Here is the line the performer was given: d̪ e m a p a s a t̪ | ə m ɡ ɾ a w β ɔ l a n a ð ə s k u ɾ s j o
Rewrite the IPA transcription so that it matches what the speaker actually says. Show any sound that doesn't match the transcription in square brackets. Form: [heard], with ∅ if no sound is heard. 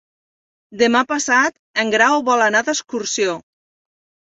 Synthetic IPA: d̪ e m a p a s a t̪ | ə [ŋ] ɡ ɾ a w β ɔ l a n a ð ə s k u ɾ s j o